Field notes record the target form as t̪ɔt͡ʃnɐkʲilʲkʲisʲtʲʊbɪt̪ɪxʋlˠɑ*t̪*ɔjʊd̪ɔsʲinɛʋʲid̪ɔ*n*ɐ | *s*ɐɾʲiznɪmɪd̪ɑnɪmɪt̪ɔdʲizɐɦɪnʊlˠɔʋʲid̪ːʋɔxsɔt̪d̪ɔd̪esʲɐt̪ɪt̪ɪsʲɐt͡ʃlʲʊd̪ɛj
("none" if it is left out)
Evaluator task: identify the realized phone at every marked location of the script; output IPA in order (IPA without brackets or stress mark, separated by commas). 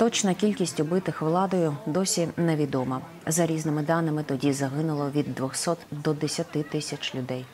d̪, m, z